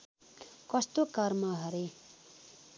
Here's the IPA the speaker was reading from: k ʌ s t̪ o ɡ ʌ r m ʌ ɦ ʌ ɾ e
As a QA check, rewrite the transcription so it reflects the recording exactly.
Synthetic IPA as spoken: k ʌ s t̪ o k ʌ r m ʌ ɦ ʌ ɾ e